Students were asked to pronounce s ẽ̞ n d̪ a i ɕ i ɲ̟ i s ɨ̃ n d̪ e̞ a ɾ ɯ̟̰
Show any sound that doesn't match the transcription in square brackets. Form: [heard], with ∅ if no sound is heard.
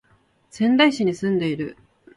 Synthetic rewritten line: s ẽ̞ n d̪ a i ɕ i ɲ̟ i s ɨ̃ n d̪ e̞ [i] ɾ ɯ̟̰

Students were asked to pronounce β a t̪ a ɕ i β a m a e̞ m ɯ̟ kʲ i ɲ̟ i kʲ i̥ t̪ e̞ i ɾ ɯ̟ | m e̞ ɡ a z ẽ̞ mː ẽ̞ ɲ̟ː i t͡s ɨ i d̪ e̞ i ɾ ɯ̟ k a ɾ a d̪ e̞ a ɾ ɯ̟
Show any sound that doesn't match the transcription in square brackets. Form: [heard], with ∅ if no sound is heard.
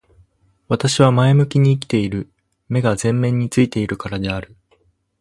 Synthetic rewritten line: β a t̪ a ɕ i β a m a e̞ m ɯ̟ kʲ i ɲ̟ [iː] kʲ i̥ t̪ e̞ i ɾ ɯ̟ | m e̞ ɡ a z ẽ̞ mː ẽ̞ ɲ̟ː i t͡s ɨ i [t̪] e̞ i ɾ ɯ̟ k a ɾ a d̪ e̞ a ɾ ɯ̟

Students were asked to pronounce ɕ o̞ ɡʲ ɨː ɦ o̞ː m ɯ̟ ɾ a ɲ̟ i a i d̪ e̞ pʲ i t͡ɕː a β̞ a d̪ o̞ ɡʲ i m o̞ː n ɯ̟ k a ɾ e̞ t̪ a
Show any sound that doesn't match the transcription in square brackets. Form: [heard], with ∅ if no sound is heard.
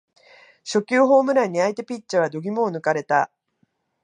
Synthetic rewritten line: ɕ o̞ [kʲ] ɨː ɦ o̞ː m ɯ̟ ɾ a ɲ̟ i a i [t̪] e̞ pʲ i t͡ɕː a β̞ a d̪ o̞ ɡʲ i m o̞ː n ɯ̟ k a ɾ e̞ t̪ a

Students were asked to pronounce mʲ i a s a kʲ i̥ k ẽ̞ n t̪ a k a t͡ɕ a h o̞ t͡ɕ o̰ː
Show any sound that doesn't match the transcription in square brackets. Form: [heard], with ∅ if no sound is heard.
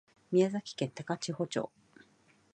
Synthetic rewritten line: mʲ i a [z] a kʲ i̥ k ẽ̞ n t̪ a k a t͡ɕ [i] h o̞ t͡ɕ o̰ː

